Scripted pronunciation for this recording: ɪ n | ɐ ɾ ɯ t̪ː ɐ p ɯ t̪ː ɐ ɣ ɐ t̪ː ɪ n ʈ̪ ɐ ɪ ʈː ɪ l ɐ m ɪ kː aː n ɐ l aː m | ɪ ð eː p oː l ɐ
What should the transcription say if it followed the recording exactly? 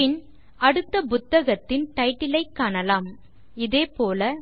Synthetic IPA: ɪ n | ɐ ɽ ɯ t̪ː ɐ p ʊ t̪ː ɐ ɣ ɐ t̪ː ɪ n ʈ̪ ɐ ɪ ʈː ɪ l ɐ ɪ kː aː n ɐ l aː m | ɪ ð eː p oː l ɐ